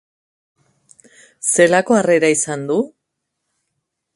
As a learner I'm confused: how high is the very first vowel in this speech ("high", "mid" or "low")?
mid